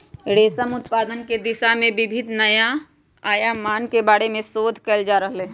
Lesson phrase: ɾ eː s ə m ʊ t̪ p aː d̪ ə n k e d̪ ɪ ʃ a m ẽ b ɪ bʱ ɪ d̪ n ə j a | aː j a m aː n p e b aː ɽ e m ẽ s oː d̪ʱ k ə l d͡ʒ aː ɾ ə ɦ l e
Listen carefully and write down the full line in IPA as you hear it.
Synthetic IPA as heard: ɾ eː s ə m ʊ t̪ p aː d̪ ə n k e d̪ ɪ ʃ a m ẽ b ɪ bʱ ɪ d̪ n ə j a | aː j a m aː n k e b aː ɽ e m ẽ s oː d̪ʱ k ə l d͡ʒ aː ɾ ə ɦ l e